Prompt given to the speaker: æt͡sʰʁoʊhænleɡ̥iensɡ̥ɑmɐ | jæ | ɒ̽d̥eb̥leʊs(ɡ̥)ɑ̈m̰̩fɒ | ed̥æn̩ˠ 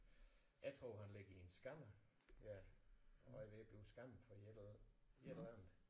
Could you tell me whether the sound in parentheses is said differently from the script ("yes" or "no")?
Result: no